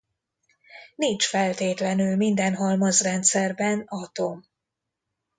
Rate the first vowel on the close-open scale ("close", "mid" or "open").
close